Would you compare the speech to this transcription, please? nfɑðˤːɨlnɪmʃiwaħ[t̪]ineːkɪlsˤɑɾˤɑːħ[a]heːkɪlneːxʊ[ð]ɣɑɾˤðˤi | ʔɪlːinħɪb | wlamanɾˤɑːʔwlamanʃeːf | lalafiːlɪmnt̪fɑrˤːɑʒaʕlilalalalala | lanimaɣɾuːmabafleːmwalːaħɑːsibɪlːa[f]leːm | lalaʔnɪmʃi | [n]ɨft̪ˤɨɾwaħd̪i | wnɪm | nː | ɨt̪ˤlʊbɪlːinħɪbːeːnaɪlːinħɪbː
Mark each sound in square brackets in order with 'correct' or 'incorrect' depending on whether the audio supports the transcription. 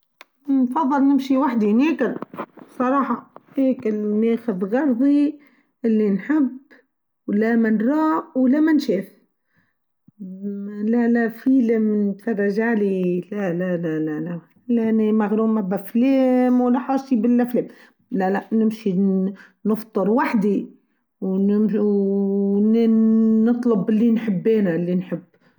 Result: incorrect: d̪, incorrect: ɑ, correct, correct, correct

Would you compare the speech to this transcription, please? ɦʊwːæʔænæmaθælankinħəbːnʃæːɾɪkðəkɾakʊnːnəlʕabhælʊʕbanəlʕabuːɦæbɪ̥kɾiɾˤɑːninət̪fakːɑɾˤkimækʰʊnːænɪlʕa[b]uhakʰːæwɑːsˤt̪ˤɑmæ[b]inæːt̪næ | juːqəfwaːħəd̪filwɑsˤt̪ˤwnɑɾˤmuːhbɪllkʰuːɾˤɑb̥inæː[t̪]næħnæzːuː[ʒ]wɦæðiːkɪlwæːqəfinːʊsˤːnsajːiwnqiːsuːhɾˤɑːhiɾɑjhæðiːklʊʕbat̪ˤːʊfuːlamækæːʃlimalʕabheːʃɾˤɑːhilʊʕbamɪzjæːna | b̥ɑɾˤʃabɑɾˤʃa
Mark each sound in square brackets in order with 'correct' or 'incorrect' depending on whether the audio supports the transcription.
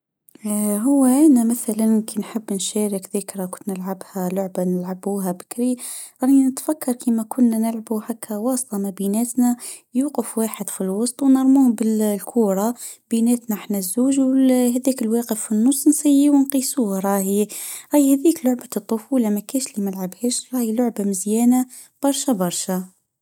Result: correct, correct, correct, correct

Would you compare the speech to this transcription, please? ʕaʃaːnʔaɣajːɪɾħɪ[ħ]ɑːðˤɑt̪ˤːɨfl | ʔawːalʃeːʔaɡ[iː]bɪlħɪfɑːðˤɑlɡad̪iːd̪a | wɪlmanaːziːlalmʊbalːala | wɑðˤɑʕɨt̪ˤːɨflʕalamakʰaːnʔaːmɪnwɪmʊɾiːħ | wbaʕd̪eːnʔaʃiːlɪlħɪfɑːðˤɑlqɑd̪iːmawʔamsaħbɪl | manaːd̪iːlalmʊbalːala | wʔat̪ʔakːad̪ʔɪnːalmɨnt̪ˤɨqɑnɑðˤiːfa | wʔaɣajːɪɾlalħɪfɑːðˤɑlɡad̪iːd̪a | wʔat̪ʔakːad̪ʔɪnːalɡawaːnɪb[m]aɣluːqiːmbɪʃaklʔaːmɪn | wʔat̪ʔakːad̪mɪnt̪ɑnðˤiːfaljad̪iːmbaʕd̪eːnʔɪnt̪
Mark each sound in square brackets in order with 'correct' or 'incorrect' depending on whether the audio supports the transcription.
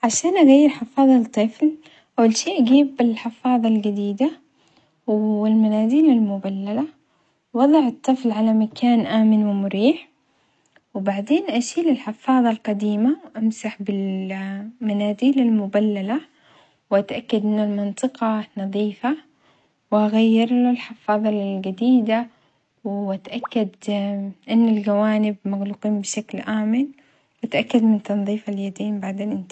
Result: incorrect: f, correct, correct

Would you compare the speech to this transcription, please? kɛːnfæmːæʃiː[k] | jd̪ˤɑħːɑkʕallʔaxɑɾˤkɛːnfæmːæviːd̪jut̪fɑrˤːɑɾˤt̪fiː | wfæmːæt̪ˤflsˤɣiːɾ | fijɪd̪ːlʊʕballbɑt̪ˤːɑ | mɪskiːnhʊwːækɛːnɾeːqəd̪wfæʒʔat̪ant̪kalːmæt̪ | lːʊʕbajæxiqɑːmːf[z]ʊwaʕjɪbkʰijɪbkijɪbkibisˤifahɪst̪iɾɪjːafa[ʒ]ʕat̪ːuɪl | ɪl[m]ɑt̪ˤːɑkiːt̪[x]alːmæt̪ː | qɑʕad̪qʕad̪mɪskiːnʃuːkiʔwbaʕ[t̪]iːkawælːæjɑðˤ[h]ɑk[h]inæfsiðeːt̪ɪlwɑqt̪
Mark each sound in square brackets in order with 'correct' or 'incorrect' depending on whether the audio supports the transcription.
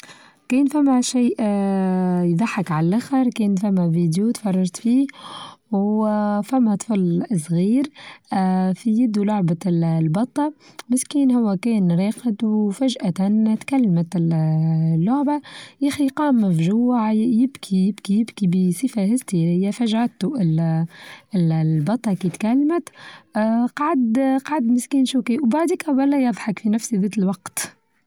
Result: incorrect: ʔ, incorrect: ʒ, correct, incorrect: b, incorrect: k, incorrect: d̪, incorrect: ħ, incorrect: f

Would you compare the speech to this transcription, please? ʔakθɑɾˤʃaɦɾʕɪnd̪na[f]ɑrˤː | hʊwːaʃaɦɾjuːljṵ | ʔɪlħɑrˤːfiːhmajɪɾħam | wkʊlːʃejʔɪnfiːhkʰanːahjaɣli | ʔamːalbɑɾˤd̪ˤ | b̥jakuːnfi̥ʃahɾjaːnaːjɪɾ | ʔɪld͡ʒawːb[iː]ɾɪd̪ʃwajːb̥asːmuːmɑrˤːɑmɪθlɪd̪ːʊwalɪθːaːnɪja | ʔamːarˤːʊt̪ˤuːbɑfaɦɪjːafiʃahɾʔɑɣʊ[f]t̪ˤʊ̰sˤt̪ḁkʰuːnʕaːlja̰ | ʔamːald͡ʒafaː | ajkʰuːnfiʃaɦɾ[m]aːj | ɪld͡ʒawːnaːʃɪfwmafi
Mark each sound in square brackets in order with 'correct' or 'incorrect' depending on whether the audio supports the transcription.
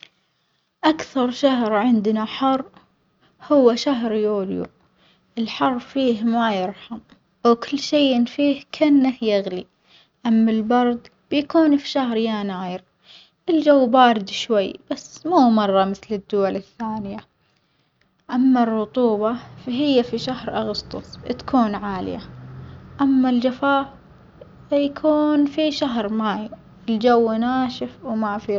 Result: incorrect: ħ, incorrect: aː, incorrect: s, correct

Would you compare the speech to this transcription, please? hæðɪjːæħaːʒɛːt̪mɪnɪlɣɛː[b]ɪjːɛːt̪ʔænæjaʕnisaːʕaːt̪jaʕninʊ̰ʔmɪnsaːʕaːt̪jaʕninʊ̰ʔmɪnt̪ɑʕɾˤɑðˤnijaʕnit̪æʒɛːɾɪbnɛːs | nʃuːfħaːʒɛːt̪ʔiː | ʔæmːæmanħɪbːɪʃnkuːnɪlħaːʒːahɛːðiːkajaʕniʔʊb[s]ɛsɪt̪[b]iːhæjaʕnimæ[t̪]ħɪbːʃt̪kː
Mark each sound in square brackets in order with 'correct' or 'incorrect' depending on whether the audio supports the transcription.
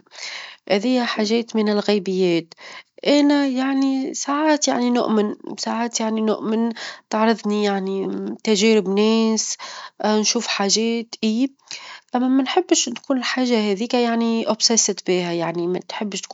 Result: correct, correct, correct, correct

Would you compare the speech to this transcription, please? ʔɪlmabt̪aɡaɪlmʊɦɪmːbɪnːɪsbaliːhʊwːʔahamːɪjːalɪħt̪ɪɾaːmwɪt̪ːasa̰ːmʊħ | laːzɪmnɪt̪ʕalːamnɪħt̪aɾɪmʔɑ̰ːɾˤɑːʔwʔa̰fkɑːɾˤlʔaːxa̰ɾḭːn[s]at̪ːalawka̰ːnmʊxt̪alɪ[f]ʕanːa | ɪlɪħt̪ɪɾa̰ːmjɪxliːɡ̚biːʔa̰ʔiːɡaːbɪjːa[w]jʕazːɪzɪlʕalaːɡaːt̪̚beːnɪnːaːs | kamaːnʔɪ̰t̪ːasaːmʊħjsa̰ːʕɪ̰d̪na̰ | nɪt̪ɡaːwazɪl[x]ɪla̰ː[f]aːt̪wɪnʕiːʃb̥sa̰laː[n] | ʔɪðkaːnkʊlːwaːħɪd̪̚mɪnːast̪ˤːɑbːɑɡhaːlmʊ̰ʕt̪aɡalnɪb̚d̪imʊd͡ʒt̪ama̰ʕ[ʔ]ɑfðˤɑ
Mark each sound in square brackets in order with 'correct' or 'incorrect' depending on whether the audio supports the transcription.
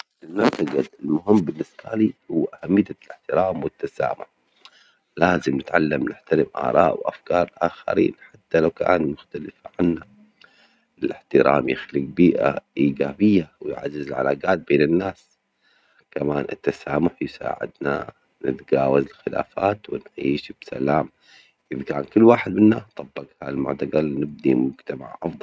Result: incorrect: ħ, correct, correct, correct, correct, incorrect: m, correct

